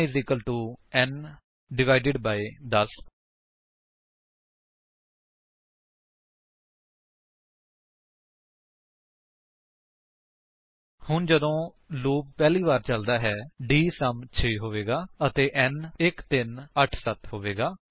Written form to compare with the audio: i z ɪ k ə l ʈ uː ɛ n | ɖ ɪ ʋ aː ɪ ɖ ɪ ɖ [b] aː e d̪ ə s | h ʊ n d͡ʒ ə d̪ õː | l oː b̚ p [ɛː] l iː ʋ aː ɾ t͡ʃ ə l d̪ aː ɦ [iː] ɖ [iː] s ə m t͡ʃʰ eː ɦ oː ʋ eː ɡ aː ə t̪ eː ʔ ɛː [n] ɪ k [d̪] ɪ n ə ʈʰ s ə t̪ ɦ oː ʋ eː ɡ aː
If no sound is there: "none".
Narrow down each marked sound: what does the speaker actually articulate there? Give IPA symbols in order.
b, ɛː, ɛː, iː, n, t̪

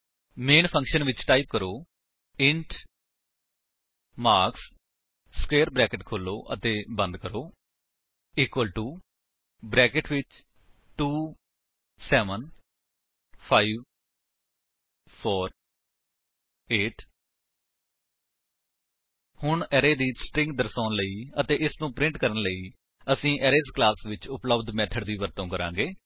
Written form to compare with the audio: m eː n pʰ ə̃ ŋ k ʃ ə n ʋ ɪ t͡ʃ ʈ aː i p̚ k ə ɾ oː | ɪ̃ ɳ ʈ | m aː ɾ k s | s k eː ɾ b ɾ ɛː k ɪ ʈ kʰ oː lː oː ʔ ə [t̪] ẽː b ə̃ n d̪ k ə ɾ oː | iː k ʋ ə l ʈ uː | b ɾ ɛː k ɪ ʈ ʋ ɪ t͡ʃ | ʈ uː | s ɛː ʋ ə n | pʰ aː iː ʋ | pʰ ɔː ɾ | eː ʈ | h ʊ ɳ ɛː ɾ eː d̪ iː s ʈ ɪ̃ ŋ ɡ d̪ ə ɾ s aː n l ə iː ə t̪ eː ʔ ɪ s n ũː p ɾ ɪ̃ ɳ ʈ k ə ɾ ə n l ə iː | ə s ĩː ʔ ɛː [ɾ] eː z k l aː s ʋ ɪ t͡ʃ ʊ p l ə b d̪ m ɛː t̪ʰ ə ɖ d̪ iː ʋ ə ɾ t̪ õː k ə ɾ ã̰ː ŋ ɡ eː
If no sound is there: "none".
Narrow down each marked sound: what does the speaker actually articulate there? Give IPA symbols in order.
t̪, ɾ

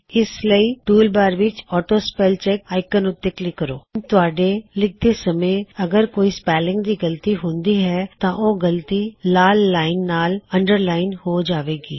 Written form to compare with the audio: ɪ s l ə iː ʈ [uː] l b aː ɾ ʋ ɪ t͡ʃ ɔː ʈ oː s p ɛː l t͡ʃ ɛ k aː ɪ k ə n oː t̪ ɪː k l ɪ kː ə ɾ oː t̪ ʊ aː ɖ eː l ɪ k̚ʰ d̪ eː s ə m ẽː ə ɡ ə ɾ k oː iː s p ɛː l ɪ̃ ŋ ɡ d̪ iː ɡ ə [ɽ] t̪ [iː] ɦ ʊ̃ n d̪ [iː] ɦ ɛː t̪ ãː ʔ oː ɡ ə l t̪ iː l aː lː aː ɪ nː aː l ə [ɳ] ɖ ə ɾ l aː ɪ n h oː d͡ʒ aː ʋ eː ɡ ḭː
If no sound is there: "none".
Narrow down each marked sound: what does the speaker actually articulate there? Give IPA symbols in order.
uː, l, iː, iː, ɳ

